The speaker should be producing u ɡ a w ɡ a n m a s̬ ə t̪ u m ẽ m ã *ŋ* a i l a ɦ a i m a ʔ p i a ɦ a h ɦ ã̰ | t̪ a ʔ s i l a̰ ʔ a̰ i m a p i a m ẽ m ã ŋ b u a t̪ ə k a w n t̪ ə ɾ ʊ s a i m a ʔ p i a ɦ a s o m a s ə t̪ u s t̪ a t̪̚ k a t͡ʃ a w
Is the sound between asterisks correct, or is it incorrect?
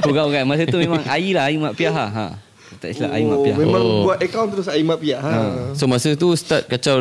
correct